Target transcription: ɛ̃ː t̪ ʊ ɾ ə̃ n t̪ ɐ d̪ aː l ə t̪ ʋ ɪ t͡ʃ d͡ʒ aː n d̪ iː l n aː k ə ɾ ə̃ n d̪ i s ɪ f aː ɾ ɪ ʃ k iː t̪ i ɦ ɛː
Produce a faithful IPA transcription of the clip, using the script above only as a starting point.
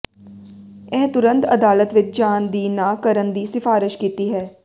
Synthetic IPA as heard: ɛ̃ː t̪ ʊ ɾ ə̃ n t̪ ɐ d̪ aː l ə t̪ ʋ ɪ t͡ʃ d͡ʒ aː n d̪ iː n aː k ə ɾ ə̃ n d̪ i s ɪ f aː ɾ ɪ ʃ k iː t̪ i ɦ ɛː